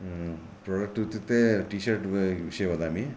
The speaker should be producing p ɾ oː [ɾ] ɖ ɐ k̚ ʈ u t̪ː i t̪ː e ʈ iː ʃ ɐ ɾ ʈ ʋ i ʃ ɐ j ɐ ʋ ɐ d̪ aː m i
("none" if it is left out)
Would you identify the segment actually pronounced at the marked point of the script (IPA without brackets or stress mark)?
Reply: none